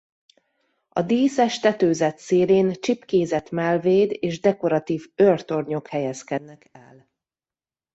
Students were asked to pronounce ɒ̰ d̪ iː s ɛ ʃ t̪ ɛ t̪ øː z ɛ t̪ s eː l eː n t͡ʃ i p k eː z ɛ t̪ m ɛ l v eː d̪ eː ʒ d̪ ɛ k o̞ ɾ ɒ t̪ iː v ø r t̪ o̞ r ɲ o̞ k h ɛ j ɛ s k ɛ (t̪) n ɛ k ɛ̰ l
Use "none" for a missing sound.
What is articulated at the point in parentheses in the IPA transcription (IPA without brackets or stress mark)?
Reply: d̪